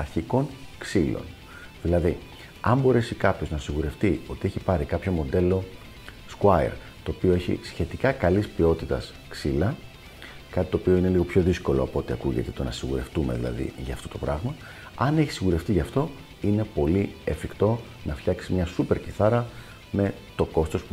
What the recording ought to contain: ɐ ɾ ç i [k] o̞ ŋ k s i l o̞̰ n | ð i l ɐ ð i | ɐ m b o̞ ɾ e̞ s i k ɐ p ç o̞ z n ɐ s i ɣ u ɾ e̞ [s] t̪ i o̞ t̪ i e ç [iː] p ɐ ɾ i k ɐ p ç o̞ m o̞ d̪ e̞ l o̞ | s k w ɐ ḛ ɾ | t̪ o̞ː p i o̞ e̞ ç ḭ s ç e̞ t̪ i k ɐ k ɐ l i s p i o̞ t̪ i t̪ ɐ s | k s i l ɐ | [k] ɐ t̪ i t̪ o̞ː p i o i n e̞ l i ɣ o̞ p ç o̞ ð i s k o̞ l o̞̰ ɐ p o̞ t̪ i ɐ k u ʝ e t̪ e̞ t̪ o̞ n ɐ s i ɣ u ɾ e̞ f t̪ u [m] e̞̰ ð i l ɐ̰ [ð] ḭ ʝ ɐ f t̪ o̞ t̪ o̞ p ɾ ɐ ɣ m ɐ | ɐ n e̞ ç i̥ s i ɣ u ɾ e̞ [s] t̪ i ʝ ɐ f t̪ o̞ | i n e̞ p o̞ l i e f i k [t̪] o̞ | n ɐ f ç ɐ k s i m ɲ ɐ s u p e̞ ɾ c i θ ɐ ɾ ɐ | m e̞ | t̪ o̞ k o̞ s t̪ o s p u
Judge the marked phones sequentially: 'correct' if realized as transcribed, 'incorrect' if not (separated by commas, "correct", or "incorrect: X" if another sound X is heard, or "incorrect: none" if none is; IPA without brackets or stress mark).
correct, incorrect: f, incorrect: i, correct, correct, correct, incorrect: f, correct